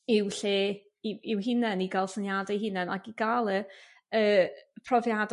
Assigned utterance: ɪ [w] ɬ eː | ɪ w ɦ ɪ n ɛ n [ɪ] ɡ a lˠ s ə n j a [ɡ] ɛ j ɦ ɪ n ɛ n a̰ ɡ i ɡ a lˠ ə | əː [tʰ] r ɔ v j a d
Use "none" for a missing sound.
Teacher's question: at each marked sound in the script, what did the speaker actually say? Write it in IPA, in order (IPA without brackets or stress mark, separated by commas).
w, i, d, pʰ